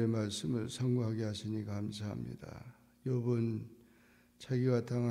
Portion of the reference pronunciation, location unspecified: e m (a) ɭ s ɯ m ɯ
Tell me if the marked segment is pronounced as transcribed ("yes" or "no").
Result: yes